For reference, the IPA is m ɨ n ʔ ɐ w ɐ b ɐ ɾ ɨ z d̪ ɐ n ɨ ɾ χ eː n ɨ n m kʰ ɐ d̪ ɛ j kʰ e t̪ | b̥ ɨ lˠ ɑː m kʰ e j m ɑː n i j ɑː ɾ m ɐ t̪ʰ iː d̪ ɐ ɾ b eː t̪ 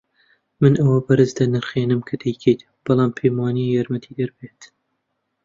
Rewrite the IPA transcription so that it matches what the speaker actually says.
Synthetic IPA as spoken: m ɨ n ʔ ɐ w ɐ b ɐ ɾ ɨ z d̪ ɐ n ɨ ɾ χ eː n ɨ m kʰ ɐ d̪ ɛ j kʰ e t̪ | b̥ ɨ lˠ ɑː m pʰ e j m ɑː n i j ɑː ɾ m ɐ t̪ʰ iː d̪ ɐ ɾ b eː t̪